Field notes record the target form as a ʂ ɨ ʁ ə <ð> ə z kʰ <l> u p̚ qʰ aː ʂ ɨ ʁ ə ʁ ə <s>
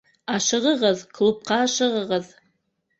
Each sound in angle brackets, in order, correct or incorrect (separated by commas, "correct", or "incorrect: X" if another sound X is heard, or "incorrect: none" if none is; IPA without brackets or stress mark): incorrect: ʁ, correct, incorrect: z